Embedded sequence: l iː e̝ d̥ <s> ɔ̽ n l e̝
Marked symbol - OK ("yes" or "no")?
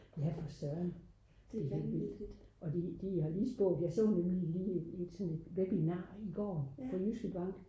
yes